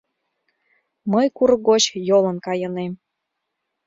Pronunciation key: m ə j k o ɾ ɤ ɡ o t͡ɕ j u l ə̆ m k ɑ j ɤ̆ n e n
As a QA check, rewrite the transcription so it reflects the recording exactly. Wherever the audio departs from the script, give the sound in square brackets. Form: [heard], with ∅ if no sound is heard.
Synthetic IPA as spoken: m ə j k [u] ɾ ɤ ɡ o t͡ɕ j [o] l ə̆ [n] k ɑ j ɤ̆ n e [m]

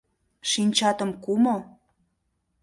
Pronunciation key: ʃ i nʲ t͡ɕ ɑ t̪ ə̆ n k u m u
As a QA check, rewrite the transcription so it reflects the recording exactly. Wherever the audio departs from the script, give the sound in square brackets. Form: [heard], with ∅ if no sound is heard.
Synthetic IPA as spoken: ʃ i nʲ t͡ɕ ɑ t̪ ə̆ [m] k u m [o]

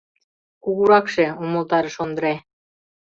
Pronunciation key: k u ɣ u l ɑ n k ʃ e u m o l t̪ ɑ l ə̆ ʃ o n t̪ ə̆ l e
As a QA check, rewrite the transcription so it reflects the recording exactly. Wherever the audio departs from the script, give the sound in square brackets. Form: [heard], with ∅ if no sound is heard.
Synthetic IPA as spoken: k u ɣ u [ɾ] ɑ [∅] k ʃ e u m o l t̪ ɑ [ɾ] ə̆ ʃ o n [d̪] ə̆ [ɾ] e

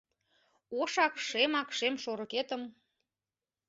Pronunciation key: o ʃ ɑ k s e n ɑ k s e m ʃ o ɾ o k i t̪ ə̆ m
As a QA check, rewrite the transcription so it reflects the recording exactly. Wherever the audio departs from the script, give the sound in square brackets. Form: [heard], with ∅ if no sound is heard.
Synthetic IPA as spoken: o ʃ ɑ k [ʃ] e [m] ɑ k [ʃ] e m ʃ o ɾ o k [e] t̪ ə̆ m

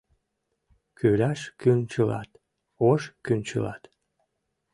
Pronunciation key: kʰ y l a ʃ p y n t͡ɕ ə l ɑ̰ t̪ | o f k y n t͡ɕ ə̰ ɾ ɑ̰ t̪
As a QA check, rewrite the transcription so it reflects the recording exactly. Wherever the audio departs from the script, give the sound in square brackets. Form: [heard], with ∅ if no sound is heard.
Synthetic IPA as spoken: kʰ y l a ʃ [k] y n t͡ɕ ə l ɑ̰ t̪ | o [ʃ] k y n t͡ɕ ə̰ [l] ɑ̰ t̪

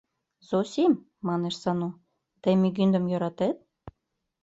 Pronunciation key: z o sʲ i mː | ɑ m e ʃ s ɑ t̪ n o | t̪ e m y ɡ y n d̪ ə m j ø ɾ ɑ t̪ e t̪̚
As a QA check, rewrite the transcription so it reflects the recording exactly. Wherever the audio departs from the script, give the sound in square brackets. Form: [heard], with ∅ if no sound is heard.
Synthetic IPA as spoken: z o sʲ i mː | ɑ [n] e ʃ s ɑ [∅] n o | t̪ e m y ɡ y n d̪ ə m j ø ɾ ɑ t̪ e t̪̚

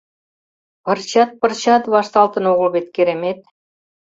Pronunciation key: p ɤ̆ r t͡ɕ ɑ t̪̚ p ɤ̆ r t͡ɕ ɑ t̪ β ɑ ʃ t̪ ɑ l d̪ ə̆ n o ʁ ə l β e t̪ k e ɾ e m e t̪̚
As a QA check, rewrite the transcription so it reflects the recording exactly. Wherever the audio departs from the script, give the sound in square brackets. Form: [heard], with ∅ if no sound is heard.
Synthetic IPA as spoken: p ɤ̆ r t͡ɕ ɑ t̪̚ p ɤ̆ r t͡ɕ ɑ t̪ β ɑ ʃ t̪ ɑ l [t̪] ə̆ n o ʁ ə l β e t̪ k e ɾ e m e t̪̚

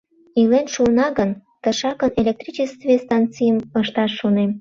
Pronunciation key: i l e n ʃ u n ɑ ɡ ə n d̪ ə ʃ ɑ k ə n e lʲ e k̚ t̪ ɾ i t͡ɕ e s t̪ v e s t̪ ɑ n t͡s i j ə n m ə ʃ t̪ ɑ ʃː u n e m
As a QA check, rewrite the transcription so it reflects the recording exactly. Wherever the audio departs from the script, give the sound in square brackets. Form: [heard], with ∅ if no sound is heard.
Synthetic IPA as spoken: i l e n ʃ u n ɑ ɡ ə n [t̪] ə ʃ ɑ k ə n e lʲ e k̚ t̪ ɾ i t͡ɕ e s t̪ v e s t̪ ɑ n t͡s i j ə [∅] m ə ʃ t̪ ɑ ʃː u n e m

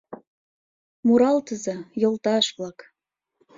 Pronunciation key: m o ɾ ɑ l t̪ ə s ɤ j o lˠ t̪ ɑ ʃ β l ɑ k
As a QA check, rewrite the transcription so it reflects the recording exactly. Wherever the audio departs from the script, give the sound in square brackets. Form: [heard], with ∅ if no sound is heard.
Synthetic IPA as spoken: m [u] ɾ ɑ l t̪ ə [z] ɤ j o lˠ t̪ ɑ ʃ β l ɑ k

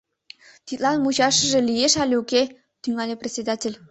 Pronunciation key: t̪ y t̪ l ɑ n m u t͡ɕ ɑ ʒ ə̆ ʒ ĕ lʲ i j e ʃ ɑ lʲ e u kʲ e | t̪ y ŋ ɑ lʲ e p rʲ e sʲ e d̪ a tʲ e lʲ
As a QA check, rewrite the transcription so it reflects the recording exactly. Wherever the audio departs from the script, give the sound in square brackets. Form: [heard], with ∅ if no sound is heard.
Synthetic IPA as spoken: t̪ [i] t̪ l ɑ n m u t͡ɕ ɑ [ʃ] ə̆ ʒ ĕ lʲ i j e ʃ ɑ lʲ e u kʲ e | t̪ y ŋ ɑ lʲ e p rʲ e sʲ e d̪ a tʲ e lʲ

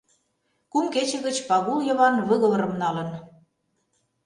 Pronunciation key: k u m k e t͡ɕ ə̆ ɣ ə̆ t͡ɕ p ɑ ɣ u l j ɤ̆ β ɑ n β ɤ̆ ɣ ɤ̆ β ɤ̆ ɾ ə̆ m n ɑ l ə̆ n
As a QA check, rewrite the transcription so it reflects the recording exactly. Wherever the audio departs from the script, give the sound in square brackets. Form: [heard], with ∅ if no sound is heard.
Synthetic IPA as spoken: k u m k e t͡ɕ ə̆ ɣ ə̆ t͡ɕ p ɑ ɣ u l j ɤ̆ β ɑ n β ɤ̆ ɣ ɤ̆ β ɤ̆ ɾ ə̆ m n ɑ l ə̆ n

